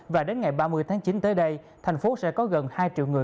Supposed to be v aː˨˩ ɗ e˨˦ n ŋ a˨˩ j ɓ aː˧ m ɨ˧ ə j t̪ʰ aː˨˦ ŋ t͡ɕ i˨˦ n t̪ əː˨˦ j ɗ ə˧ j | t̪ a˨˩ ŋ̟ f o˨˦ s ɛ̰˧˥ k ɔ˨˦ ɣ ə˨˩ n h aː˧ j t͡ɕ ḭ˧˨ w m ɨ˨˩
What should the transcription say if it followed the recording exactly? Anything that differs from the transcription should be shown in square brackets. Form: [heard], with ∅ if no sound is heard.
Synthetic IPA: v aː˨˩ ɗ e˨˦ n ŋ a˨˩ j ɓ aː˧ m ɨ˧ ə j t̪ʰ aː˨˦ ŋ t͡ɕ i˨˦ n t̪ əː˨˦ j ɗ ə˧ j | [t̪ʰ] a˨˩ ŋ̟ f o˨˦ s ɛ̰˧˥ k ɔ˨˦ ɣ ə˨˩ n h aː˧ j t͡ɕ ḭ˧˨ w [ŋ] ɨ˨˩

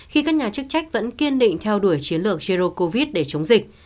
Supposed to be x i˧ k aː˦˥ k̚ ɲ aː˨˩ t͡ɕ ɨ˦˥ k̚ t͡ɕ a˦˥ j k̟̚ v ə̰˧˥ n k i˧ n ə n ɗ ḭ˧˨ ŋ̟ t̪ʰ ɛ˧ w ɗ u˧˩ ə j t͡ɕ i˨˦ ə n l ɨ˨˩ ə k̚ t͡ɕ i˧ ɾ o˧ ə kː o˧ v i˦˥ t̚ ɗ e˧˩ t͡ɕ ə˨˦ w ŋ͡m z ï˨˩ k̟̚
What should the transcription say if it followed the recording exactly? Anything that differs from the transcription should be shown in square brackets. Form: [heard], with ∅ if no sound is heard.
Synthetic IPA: x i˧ k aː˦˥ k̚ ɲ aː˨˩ t͡ɕ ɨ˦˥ k̚ t͡ɕ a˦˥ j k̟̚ v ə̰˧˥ n k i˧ [∅] ə n ɗ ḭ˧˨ ŋ̟ t̪ʰ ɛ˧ w ɗ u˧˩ ə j t͡ɕ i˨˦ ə n l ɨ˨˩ ə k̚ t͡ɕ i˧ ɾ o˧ ə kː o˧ v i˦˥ t̚ ɗ e˧˩ t͡ɕ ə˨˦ w ŋ͡m z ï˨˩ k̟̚

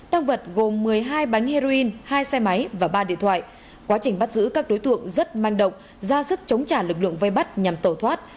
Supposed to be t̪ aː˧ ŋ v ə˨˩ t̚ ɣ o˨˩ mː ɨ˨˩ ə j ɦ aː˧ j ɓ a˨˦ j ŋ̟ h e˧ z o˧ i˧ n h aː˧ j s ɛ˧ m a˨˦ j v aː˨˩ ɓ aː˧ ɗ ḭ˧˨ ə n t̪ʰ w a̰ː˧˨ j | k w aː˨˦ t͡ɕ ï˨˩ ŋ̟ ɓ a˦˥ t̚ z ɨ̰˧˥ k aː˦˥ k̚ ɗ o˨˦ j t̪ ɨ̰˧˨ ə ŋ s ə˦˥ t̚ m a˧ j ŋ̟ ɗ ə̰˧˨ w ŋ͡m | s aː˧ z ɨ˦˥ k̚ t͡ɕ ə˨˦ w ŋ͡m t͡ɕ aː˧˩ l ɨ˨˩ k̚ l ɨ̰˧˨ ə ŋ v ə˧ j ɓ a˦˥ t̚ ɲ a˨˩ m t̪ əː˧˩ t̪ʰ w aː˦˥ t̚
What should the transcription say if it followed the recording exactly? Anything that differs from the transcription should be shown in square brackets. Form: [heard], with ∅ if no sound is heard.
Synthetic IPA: t̪ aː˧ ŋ v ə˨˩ t̚ ɣ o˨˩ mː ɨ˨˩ ə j ɦ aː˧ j ɓ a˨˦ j ŋ̟ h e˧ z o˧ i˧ n h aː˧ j s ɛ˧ m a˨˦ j v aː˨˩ ɓ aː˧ ɗ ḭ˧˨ ə n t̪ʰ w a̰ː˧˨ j | k w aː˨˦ t͡ɕ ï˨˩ ŋ̟ ɓ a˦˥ t̚ z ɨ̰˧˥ k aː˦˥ k̚ ɗ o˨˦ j t̪ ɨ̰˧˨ ə ŋ [z] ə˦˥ t̚ m a˧ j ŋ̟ ɗ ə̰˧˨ w ŋ͡m | [z] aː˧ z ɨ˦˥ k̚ t͡ɕ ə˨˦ w ŋ͡m t͡ɕ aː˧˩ l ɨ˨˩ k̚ l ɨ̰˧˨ ə ŋ v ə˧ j ɓ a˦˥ t̚ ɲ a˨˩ m t̪ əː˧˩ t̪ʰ w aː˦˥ t̚

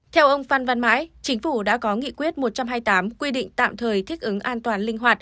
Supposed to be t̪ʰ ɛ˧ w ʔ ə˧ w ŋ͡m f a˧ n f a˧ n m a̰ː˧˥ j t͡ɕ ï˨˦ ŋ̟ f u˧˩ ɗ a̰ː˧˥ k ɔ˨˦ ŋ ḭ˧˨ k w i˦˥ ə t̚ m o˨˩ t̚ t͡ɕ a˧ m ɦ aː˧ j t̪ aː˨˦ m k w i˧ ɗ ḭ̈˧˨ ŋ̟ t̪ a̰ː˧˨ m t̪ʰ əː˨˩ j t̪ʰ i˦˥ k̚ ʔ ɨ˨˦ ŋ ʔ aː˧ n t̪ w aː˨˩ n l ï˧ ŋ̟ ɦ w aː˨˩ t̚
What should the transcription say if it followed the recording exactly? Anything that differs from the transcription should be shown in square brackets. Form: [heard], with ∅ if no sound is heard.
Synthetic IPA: t̪ʰ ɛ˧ w ʔ ə˧ w ŋ͡m f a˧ n [v] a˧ n m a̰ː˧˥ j t͡ɕ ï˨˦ ŋ̟ f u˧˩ ɗ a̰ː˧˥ k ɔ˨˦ ŋ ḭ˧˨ k w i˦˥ ə t̚ m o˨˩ t̚ t͡ɕ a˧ m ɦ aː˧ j t̪ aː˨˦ m k w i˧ ɗ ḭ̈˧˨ ŋ̟ t̪ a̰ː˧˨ m t̪ʰ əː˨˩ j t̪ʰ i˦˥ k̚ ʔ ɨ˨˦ ŋ ʔ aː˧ n t̪ w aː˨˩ n l ï˧ ŋ̟ ɦ w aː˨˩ t̚

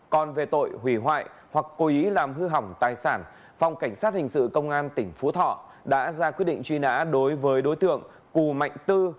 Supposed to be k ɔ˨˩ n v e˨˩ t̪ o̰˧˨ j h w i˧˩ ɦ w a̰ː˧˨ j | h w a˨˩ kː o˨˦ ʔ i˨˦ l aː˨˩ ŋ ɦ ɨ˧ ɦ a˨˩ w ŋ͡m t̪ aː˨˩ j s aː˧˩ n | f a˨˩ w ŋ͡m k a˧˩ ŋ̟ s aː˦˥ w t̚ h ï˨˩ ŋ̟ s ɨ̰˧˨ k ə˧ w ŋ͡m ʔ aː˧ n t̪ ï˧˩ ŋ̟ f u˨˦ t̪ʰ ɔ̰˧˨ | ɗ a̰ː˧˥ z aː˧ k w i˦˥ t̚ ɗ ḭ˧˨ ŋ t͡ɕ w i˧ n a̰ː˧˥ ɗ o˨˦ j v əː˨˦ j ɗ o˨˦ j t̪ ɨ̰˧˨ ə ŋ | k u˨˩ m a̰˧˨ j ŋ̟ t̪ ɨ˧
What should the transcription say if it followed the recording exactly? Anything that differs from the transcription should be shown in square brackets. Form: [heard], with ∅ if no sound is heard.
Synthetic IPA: k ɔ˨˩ n v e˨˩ t̪ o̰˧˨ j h w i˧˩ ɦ w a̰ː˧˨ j | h w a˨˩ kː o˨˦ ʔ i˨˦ l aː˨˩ [m] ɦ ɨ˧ ɦ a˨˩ w ŋ͡m t̪ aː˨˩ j s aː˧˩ n | f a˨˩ w ŋ͡m k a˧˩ ŋ̟ s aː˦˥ [∅] t̚ h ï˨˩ ŋ̟ s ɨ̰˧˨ k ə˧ w ŋ͡m ʔ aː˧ n t̪ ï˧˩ ŋ̟ f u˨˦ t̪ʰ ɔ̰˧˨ | ɗ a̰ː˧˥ z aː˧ k w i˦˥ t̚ ɗ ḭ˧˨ ŋ t͡ɕ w i˧ n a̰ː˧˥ ɗ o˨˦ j v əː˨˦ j ɗ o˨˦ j t̪ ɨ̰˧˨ ə ŋ | k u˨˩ m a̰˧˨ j ŋ̟ t̪ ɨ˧

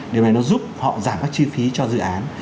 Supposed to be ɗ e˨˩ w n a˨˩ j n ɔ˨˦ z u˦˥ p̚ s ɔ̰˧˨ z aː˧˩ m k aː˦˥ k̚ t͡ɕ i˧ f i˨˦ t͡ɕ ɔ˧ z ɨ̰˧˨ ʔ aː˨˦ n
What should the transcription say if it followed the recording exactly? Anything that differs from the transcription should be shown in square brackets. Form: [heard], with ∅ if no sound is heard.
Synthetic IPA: ɗ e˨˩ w n a˨˩ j n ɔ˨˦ z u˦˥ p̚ [h] ɔ̰˧˨ z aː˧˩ m k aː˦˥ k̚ t͡ɕ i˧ f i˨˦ t͡ɕ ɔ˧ z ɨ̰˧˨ ʔ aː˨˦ n

